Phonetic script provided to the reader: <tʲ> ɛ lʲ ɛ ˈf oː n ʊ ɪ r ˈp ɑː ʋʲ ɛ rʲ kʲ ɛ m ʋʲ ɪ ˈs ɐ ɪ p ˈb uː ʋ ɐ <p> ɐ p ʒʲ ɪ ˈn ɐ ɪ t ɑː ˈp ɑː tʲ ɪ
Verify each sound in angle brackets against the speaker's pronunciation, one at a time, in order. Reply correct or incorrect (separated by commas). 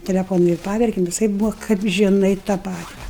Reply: correct, incorrect